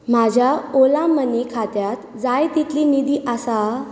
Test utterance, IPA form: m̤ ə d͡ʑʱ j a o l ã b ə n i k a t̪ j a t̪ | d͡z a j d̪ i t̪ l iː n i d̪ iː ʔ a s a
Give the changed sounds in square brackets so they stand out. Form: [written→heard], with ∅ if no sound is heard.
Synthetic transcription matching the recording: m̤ [ə→a] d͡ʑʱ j a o l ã [b→m] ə n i [k→kʰ] a t̪ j a t̪ | d͡z a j [d̪→t̪] i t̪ l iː n i d̪ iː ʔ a s a